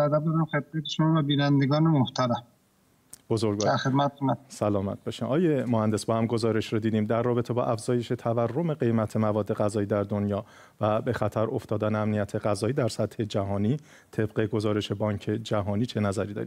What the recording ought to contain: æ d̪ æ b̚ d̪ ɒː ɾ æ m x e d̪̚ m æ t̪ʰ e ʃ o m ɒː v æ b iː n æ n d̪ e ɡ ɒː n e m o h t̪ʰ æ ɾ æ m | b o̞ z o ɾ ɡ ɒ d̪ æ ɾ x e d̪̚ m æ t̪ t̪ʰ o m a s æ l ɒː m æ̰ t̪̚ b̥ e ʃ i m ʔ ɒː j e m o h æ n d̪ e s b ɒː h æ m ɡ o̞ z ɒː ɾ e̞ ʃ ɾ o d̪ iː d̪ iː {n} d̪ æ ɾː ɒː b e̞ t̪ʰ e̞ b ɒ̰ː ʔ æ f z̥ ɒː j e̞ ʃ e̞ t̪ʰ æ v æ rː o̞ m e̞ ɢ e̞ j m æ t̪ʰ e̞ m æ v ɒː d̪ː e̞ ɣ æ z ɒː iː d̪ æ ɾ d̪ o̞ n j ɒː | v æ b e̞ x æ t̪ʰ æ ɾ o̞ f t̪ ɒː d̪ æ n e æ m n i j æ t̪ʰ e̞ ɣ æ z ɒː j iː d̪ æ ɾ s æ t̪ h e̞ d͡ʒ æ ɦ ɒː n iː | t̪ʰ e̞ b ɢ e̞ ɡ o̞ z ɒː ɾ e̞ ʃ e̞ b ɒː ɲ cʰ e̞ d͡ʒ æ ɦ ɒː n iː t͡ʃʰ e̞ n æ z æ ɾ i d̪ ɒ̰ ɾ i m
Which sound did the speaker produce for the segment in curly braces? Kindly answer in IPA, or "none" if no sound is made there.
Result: m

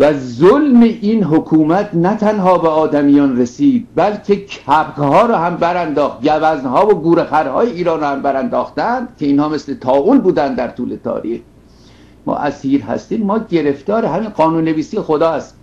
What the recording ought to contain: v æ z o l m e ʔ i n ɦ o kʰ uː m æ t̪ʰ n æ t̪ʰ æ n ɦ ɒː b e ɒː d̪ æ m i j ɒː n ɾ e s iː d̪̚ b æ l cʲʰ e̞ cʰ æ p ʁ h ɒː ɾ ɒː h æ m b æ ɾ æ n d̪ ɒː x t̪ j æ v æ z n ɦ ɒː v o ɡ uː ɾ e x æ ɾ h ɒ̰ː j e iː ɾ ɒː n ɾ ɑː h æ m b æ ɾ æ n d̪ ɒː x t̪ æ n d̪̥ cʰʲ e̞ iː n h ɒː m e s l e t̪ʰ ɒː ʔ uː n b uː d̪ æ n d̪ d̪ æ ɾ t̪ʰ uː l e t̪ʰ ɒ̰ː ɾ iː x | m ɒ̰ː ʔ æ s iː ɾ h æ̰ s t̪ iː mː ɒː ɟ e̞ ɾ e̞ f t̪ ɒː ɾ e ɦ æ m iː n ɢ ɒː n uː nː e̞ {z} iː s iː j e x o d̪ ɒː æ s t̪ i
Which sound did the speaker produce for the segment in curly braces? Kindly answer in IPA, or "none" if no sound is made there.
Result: v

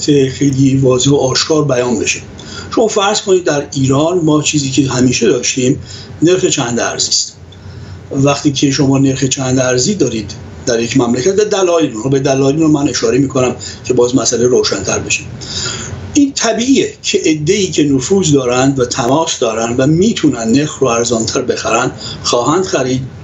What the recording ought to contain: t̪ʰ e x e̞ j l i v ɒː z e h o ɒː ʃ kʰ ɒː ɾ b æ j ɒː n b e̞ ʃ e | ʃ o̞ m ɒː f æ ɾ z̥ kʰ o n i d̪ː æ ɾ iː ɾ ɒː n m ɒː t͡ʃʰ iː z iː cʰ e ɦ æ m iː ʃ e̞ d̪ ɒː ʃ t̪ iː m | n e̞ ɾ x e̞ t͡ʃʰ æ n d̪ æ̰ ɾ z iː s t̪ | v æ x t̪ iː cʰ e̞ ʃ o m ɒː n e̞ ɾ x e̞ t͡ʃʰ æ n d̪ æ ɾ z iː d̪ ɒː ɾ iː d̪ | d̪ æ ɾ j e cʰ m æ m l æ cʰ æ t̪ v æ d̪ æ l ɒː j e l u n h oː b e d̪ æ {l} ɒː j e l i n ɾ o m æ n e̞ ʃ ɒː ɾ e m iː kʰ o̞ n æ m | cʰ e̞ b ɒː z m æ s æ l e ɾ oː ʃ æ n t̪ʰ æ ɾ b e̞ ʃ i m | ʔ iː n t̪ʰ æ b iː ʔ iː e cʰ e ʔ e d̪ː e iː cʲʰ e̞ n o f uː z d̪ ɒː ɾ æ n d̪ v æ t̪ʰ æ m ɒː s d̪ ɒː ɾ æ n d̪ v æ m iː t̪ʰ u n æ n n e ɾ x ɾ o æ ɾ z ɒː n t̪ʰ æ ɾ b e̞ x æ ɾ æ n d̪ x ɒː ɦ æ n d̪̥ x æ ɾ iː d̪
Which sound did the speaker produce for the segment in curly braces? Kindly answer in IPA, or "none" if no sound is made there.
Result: l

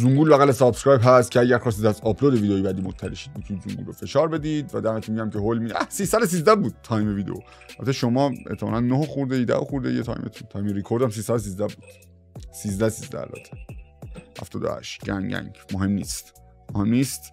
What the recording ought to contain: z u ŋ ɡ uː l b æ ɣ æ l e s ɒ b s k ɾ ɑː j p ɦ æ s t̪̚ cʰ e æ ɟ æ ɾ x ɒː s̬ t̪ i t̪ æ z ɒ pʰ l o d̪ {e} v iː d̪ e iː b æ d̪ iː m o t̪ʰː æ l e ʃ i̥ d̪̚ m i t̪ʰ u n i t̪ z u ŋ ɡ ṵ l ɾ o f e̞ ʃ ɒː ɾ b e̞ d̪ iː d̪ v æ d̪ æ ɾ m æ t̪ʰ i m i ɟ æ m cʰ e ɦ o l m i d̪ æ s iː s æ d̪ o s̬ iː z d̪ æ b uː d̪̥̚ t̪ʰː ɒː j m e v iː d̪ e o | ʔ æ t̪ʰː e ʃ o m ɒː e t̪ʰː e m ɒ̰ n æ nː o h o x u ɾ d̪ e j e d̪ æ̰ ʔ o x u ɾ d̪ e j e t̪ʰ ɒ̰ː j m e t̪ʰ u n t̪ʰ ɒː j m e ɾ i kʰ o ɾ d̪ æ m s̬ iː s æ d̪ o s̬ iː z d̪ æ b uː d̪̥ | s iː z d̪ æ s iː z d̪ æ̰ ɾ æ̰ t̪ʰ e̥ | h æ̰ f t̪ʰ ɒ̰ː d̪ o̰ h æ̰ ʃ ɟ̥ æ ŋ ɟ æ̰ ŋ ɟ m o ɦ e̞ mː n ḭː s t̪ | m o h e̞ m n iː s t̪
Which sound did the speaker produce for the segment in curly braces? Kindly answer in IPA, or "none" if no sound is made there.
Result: e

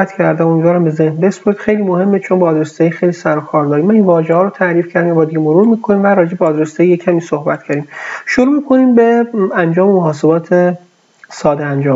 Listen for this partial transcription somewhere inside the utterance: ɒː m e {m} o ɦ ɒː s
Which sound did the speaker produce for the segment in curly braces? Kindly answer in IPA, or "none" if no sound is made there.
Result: m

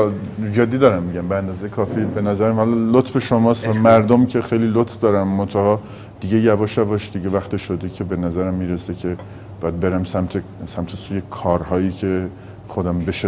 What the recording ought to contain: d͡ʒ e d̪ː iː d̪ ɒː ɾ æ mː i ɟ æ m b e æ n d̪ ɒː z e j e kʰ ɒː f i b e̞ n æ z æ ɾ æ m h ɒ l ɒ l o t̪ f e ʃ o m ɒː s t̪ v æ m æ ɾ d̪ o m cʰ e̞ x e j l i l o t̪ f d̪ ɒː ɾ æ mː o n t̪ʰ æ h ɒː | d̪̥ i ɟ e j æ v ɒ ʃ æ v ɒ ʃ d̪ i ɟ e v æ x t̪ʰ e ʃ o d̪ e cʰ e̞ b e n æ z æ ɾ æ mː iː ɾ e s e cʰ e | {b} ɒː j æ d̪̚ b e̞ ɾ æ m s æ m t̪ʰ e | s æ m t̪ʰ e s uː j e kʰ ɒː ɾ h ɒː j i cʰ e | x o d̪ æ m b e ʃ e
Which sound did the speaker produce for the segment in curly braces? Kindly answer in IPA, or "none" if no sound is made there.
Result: b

